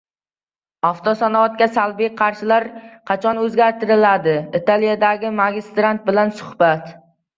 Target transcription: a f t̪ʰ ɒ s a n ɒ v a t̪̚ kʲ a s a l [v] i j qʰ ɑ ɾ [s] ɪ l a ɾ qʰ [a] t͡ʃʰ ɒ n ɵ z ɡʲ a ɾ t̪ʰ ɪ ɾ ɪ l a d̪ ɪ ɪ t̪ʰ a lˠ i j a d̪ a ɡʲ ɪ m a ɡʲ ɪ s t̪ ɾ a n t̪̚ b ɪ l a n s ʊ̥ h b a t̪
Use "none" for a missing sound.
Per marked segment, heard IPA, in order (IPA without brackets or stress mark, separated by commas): b, ʃ, ɑ